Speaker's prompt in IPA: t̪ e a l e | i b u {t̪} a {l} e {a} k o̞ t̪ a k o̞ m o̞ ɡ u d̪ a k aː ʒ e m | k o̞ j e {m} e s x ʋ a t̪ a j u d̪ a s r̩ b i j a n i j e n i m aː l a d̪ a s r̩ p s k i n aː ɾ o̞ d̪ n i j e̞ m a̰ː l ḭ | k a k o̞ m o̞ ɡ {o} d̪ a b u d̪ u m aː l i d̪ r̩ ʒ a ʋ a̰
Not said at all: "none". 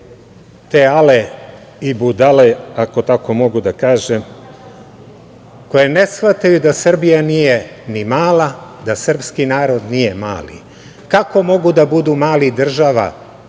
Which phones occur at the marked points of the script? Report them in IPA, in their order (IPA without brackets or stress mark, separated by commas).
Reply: d̪, l, a, n, u